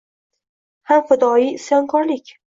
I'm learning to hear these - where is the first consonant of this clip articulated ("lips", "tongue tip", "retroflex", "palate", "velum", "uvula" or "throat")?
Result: throat